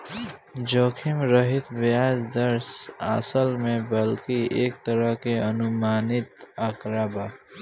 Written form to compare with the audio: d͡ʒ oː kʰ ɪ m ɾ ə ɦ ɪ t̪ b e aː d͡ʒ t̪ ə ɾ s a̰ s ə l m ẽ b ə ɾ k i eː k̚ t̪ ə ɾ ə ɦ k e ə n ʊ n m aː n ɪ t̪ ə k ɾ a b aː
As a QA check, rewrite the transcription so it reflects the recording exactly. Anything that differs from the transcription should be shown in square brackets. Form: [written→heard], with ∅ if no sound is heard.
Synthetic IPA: d͡ʒ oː kʰ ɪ m ɾ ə ɦ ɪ t̪ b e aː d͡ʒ [t̪→d̪] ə ɾ s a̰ s ə l m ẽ b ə [ɾ→l] k i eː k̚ t̪ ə ɾ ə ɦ k e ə n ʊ [n→∅] m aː n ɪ t̪ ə k ɾ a b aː